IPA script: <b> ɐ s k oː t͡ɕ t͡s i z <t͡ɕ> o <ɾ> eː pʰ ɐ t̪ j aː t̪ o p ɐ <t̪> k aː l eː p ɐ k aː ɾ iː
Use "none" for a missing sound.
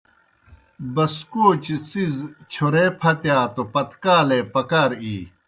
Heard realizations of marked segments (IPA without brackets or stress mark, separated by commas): b, t͡ɕʰ, ɾ, t̪